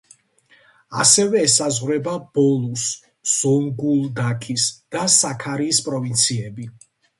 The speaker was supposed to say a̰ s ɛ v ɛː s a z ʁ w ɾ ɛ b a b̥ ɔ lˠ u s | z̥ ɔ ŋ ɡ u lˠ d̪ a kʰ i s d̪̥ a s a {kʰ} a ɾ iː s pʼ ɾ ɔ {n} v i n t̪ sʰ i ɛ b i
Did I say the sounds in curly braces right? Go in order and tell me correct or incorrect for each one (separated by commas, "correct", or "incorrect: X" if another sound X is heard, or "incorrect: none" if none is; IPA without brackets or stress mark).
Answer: correct, incorrect: none